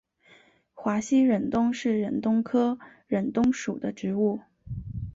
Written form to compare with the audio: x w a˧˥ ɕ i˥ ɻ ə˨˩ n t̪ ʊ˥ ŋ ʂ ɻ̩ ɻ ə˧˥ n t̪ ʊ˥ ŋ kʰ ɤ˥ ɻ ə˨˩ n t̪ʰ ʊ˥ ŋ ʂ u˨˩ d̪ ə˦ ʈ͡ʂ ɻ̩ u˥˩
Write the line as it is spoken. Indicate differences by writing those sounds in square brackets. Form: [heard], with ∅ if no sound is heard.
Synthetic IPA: x w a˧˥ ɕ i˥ ɻ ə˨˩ n t̪ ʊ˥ ŋ ʂ ɻ̩ ɻ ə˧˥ n t̪ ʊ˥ ŋ kʰ ɤ˥ ɻ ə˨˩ n [t̪] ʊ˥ ŋ ʂ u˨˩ d̪ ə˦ ʈ͡ʂ ɻ̩ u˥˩

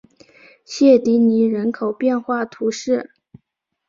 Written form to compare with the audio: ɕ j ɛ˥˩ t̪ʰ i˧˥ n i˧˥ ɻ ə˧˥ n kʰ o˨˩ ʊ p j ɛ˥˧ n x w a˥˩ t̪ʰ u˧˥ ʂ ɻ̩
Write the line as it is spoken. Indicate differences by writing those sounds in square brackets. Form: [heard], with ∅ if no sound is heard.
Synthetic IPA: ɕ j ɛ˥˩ [t̪] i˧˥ n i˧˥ ɻ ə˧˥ n kʰ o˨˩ ʊ p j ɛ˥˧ n x w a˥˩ t̪ʰ u˧˥ ʂ ɻ̩

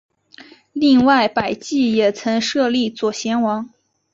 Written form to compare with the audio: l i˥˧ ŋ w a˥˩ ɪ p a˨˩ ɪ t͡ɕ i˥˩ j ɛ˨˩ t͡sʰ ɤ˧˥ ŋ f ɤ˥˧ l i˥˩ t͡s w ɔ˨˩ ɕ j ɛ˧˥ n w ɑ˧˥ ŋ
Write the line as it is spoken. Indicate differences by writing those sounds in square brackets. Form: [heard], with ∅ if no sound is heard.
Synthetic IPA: l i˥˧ ŋ w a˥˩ ɪ p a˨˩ ɪ t͡ɕ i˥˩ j ɛ˨˩ t͡sʰ ɤ˧˥ ŋ [ʂ] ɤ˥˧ l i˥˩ t͡s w ɔ˨˩ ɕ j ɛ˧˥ n w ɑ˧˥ ŋ

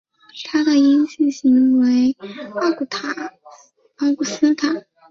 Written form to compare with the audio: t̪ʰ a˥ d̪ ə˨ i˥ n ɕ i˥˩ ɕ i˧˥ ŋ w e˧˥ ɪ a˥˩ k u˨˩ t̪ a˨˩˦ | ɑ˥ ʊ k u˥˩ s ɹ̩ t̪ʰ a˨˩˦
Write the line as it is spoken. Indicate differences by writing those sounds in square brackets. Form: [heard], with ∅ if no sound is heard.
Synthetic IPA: t̪ʰ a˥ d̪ ə˨ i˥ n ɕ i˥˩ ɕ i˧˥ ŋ w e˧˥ ɪ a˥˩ k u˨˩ [t̪ʰ] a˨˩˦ | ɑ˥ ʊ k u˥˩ s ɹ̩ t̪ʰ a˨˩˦

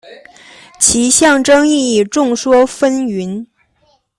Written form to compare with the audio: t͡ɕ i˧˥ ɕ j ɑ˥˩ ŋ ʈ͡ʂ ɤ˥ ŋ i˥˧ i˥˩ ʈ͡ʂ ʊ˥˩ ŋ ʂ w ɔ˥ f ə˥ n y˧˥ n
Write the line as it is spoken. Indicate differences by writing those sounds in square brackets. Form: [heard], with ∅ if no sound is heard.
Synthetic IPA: [t͡ɕʰ] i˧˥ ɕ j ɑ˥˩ ŋ ʈ͡ʂ ɤ˥ ŋ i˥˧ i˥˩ ʈ͡ʂ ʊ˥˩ ŋ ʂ w ɔ˥ f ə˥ n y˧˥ n

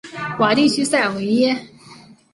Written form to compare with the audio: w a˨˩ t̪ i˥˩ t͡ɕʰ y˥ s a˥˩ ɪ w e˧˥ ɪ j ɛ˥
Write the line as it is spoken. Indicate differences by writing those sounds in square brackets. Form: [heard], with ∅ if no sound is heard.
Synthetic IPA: w a˨˩ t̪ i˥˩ t͡ɕʰ y˥ s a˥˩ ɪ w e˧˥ ɪ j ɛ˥

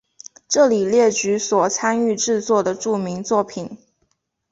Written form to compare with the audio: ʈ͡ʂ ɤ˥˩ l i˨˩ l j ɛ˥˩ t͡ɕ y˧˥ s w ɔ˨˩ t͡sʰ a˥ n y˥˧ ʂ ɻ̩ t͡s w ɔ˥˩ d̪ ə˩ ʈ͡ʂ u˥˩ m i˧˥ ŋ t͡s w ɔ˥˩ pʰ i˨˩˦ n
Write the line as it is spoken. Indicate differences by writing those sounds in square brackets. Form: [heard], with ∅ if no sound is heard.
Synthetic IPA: ʈ͡ʂ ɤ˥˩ l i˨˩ l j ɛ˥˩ t͡ɕ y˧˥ s w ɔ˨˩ t͡sʰ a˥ n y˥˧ [ʈ͡ʂ] ɻ̩ t͡s w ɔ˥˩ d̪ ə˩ ʈ͡ʂ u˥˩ m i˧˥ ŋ t͡s w ɔ˥˩ pʰ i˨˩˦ n

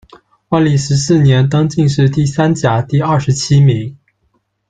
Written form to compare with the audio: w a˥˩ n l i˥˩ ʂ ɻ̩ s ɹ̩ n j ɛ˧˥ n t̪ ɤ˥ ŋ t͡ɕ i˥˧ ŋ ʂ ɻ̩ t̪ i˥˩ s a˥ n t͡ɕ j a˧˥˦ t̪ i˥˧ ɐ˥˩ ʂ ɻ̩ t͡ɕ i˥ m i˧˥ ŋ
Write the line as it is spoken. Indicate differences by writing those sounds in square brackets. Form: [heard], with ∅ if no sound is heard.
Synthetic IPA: w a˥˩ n l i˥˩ ʂ ɻ̩ s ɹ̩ n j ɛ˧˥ n t̪ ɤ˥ ŋ t͡ɕ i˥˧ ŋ ʂ ɻ̩ t̪ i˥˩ s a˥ n t͡ɕ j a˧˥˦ t̪ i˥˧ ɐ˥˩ ʂ ɻ̩ [t͡ɕʰ] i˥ m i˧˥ ŋ

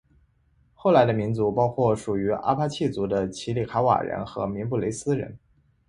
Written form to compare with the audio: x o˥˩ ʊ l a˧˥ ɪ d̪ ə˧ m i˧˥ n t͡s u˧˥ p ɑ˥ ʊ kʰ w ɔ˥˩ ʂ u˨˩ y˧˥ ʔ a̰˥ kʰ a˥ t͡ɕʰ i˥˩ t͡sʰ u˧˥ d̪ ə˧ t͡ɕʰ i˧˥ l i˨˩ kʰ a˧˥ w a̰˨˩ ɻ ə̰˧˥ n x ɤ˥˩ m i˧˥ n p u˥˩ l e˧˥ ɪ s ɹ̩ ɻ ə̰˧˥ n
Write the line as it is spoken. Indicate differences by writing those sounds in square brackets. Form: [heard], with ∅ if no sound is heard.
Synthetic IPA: x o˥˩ ʊ l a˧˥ ɪ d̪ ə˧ m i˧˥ n t͡s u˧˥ p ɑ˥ ʊ kʰ w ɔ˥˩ ʂ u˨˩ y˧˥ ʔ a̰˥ [pʰ] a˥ t͡ɕʰ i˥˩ [t͡s] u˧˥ d̪ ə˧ t͡ɕʰ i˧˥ l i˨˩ kʰ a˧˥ w a̰˨˩ ɻ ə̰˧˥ n x [ɤ˧˥] m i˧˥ n p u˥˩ l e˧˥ ɪ s ɹ̩ ɻ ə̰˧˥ n

